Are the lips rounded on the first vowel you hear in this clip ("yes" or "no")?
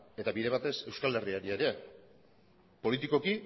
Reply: no